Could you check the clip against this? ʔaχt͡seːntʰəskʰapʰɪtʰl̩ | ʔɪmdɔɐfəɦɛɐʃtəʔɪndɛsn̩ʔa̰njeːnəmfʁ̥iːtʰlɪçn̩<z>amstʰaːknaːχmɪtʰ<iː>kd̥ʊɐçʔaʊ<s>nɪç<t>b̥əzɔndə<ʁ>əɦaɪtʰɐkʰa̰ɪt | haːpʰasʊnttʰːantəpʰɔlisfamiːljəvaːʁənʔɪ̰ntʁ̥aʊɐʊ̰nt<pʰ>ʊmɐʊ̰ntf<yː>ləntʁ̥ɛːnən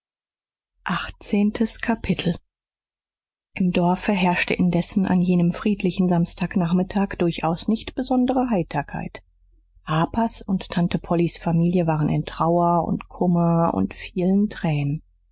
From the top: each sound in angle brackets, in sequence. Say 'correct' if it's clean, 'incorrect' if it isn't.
correct, incorrect, correct, correct, correct, incorrect, incorrect

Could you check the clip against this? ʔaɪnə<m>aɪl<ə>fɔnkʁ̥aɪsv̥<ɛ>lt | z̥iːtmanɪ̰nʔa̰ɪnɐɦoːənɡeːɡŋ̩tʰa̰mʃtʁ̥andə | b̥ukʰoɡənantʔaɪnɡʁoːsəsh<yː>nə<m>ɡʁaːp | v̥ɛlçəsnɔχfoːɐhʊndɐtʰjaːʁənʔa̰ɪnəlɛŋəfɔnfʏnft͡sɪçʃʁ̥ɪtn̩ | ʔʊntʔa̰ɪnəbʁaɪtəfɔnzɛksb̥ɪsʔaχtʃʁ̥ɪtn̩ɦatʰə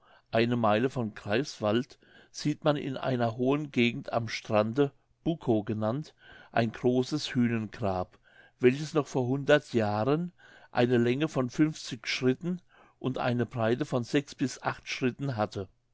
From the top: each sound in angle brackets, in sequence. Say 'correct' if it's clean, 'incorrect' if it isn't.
correct, correct, incorrect, correct, incorrect

